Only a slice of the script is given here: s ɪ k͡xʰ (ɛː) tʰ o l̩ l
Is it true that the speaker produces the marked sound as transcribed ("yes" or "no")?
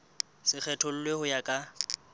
no